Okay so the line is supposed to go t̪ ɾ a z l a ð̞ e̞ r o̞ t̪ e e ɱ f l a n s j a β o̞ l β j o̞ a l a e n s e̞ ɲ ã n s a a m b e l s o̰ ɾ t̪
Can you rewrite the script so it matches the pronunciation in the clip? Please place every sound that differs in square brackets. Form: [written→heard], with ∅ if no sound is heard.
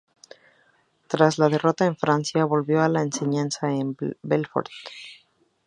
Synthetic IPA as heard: t̪ ɾ a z l a ð̞ e̞ r o̞ t̪ [e→a] e ɱ f [l→ɾ] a n s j a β o̞ l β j o̞ a l a e n s e̞ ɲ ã n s a [a→e] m b e l [s→f] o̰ ɾ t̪